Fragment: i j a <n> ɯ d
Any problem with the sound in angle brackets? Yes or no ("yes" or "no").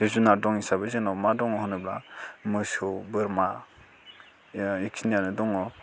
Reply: no